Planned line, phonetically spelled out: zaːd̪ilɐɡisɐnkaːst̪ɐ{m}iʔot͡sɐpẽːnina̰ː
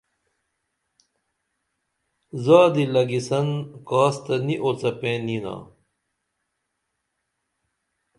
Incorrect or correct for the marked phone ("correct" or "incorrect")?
incorrect